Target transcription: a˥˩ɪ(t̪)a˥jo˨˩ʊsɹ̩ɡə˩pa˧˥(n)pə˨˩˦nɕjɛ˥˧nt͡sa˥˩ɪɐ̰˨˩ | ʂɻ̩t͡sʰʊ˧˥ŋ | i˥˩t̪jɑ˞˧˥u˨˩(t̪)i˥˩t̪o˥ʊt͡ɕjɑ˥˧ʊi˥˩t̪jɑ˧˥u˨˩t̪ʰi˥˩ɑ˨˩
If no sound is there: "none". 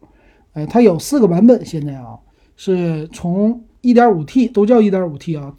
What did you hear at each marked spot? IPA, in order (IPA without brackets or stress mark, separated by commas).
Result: t̪ʰ, n, t̪ʰ